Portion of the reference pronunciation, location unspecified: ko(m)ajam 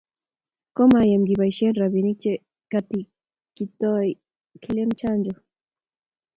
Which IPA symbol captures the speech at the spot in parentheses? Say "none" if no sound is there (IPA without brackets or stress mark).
m